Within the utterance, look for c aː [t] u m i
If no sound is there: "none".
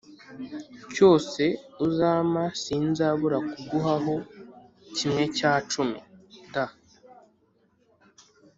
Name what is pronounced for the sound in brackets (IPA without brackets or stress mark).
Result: t͡ʃ